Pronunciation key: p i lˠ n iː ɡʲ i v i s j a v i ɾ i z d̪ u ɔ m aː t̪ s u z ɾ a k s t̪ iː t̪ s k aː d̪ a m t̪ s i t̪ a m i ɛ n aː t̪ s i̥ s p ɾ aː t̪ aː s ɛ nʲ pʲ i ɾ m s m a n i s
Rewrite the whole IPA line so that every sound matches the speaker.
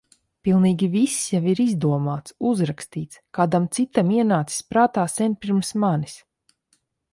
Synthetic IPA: p i lˠ n iː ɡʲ i v i s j a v i ɾ i z d̪ u ɔ m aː t̪ s u z ɾ a k s t̪ iː t̪ s k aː d̪ a m t̪ s i t̪ a m i ɛ n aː t̪ s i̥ s p ɾ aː t̪ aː s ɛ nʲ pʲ i ɾ m s m a n i s